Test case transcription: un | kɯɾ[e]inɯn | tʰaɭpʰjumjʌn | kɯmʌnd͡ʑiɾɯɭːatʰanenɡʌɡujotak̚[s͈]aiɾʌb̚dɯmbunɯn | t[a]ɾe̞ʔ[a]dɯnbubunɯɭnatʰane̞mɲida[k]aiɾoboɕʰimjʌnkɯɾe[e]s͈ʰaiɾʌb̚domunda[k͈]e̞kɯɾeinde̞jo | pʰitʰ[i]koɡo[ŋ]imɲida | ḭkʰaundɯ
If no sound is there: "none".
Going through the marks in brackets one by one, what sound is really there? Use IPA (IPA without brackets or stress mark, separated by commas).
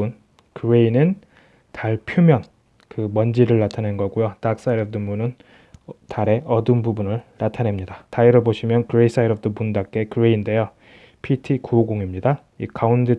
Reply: e, s͈, a, ʌ, t, i, k͈, i, ŋ